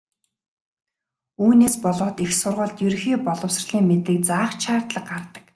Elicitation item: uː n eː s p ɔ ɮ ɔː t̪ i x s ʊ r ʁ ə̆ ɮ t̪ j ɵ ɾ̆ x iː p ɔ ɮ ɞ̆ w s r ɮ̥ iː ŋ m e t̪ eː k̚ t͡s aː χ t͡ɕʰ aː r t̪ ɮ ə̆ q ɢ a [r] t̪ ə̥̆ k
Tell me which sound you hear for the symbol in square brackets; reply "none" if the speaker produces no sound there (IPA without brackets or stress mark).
r